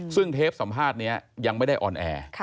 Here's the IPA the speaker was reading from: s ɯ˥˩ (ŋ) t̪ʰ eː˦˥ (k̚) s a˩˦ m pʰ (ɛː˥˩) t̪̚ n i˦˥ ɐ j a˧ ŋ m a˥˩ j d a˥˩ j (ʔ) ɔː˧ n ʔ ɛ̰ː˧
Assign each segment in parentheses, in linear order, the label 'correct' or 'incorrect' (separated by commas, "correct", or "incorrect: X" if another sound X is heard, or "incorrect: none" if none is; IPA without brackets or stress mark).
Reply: correct, incorrect: p̚, incorrect: aː˥˩, correct